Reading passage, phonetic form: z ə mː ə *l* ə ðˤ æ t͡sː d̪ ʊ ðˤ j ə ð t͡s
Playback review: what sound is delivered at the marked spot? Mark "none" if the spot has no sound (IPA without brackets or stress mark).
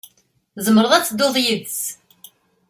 ɾ